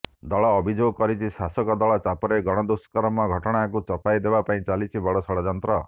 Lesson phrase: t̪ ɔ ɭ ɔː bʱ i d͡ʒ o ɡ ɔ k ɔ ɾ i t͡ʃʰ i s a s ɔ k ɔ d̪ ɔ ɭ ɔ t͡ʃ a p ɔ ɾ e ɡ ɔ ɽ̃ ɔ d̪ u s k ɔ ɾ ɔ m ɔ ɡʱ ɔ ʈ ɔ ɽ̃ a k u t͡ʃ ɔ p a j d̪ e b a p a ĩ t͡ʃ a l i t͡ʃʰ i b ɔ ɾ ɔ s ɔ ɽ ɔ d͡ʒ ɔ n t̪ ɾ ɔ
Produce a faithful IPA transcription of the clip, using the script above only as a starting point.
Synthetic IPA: d̪ ɔ ɭ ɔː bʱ i d͡ʒ o ɡ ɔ k ɔ ɾ i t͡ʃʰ i s a s ɔ k ɔ d̪ ɔ ɭ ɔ t͡ʃ a p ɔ ɾ e ɡ ɔ ɽ̃ ɔ d̪ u s k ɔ ɾ ɔ m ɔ ɡʱ ɔ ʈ ɔ ɽ̃ a k u t͡ʃ ɔ p a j d̪ e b a p a ĩ t͡ʃ a l i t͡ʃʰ i b ɔ ɽ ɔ s ɔ ɽ ɔ d͡ʒ ɔ n t̪ ɾ ɔ